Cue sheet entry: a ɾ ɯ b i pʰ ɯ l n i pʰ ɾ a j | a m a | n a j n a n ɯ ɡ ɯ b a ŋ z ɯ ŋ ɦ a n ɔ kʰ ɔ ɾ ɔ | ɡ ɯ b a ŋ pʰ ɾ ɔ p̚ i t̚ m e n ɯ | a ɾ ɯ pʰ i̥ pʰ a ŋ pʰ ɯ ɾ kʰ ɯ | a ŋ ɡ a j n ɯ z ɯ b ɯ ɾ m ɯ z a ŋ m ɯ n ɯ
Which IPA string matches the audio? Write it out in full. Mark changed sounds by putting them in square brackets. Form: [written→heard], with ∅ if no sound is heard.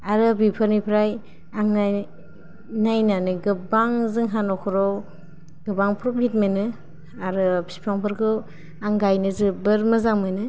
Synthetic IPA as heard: a ɾ ɯ b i pʰ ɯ [l→ɾ] n i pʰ ɾ a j | a [m→ŋ] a | n a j n a n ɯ ɡ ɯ b a ŋ z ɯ ŋ ɦ a n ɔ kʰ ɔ ɾ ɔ | ɡ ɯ b a ŋ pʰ ɾ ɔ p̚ i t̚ m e n ɯ | a ɾ ɯ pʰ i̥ pʰ a ŋ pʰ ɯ ɾ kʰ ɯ | a ŋ ɡ a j n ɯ z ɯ b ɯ ɾ m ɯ z a ŋ m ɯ n ɯ